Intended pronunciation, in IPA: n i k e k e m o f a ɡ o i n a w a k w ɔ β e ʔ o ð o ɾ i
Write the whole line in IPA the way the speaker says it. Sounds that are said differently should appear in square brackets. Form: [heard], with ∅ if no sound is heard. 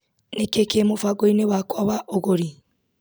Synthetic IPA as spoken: n [e] k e k e m o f a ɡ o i n [e] w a k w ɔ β [a] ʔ o [ɣ] o ɾ i

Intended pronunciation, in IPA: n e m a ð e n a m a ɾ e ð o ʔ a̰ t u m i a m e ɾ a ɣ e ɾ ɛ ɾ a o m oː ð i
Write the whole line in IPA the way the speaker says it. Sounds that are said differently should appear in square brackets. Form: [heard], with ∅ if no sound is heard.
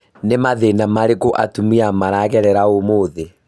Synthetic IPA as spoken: n e m a ð e n a m a ɾ e [ɣ] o ʔ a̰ t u m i a m [a] ɾ a ɣ [ɛ] ɾ ɛ ɾ a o m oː ð [e]

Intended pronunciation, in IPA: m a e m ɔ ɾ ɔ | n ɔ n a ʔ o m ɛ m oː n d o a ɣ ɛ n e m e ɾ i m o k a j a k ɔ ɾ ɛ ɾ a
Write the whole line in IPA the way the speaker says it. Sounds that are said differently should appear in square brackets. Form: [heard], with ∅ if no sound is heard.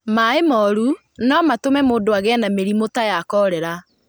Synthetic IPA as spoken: m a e m ɔ ɾ [u] | n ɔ [m] a [t] o m ɛ m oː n d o a ɣ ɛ n [a] m e ɾ i m o [t] a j a k ɔ ɾ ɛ ɾ a

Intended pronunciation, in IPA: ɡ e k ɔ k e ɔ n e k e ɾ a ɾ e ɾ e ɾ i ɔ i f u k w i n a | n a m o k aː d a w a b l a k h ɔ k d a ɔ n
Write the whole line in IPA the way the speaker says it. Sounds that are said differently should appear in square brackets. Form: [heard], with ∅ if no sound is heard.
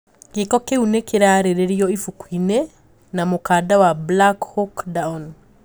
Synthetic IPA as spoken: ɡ e k ɔ k e [u] n e k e ɾ a ɾ e ɾ e ɾ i ɔ i f u k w i n [e] | n a m o k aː d a w a b l a k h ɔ k d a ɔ n

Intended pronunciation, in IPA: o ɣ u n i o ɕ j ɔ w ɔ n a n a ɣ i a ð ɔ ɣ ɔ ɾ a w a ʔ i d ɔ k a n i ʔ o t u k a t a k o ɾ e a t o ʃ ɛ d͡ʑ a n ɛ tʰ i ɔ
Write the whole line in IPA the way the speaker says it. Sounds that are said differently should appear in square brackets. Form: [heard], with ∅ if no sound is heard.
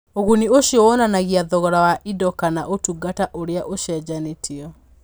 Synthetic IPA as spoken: o ɣ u n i o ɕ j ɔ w ɔ n a n a ɣ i a ð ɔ ɣ ɔ ɾ a w a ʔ i d ɔ k a n [a] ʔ o t u [ɡ] a t a [ʔ] o ɾ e a [ʔ] o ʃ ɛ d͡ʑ a n [e] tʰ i ɔ

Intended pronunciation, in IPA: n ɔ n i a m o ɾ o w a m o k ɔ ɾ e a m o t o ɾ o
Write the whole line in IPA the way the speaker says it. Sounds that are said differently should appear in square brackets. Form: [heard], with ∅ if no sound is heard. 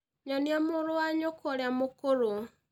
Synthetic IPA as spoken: [ɲ] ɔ n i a m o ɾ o w a [ɲ] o k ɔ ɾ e a m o [k] o ɾ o

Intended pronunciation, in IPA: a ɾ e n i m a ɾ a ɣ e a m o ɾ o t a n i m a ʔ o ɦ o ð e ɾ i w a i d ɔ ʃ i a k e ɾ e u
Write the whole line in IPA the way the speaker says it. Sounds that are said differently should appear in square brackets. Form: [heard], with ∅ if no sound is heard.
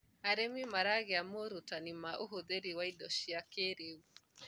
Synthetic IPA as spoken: a ɾ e [m] i m a ɾ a ɣ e a m o ɾ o t a n i m a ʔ o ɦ o ð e ɾ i w a i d ɔ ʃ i a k e ɾ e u

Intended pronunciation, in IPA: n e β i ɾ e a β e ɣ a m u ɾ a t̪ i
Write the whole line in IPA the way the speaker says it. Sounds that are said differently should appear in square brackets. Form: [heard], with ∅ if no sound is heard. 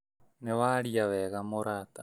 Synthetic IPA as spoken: n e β [a] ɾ [i] a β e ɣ a m [o] ɾ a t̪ [a]

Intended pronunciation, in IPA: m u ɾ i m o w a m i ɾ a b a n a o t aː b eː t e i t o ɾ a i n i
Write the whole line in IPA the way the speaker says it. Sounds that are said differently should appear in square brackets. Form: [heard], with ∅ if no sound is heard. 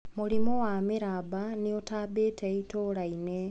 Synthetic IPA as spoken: m u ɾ i m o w a m i ɾ a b a n [i] o t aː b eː t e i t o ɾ a i n [e]

